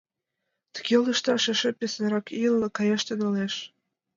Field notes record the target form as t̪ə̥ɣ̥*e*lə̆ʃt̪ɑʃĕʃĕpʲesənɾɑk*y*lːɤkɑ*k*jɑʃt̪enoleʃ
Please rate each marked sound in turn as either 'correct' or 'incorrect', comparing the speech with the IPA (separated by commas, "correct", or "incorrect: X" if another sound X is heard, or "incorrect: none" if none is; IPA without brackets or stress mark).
correct, incorrect: i, incorrect: none